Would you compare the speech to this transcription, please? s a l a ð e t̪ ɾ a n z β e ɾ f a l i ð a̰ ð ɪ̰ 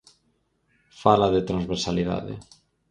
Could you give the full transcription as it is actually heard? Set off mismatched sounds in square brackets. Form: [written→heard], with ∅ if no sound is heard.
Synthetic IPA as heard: [s→f] a l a ð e t̪ ɾ a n z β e ɾ [f→s] a l i ð a̰ ð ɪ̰